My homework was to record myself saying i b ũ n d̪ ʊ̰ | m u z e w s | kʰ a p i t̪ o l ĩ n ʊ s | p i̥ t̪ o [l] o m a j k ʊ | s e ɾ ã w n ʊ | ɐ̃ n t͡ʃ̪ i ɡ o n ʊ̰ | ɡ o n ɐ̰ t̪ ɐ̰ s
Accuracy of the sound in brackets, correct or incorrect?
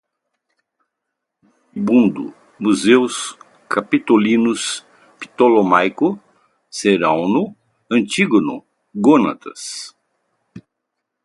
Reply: correct